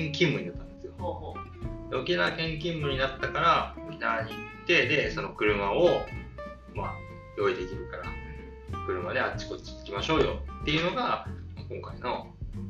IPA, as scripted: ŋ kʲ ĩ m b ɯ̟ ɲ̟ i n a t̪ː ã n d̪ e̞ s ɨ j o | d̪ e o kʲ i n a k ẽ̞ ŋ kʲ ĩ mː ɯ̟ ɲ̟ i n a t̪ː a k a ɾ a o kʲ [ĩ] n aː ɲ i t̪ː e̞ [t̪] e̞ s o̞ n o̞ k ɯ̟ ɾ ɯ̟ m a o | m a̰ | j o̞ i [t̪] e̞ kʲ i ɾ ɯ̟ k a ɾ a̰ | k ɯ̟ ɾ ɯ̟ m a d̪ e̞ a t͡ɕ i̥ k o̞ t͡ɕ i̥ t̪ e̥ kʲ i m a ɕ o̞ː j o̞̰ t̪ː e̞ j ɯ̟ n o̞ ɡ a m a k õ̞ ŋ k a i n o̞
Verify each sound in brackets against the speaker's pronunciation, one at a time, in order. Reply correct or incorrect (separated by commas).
incorrect, incorrect, incorrect